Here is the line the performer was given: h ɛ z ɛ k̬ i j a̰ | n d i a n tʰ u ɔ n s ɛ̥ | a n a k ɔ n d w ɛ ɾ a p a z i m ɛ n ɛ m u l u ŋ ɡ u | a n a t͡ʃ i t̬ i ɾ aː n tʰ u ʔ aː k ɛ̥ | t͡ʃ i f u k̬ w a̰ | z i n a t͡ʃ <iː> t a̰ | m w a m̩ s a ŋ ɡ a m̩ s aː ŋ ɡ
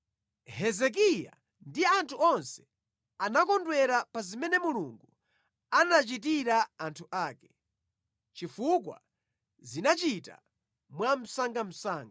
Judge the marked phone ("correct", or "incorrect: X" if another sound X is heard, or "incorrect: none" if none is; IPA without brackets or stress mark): incorrect: i